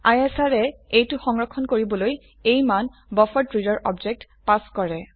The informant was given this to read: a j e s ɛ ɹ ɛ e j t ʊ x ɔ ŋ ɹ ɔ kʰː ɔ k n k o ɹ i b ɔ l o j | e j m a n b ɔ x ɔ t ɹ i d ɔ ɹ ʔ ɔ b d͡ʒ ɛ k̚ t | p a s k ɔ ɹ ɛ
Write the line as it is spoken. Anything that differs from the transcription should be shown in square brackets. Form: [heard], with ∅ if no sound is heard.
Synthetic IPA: a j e s [a] ɹ ɛ e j t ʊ x ɔ ŋ ɹ ɔ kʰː ɔ [∅] n k o ɹ i b ɔ l o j | e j m a n b ɔ [f] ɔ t ɹ i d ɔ ɹ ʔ ɔ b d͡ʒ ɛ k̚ t | p a s k ɔ ɹ ɛ